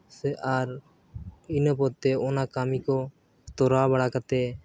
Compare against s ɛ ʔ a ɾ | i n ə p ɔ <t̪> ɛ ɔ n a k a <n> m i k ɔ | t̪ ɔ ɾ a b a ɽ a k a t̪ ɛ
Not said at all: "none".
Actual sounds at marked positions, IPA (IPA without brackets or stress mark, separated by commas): t̪, none